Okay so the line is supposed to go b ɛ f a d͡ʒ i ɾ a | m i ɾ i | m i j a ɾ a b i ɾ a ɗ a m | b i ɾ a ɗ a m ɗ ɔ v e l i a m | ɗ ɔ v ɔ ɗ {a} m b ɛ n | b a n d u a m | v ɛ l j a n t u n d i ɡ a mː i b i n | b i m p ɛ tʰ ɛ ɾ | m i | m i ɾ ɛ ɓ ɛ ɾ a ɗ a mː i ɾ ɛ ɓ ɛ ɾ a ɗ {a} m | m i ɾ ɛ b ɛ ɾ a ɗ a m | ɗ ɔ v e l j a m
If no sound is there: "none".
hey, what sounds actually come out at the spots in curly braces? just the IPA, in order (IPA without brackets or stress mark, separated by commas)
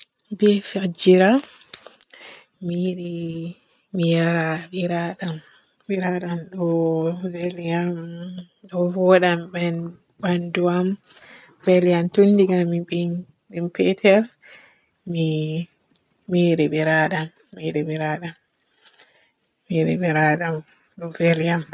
a, a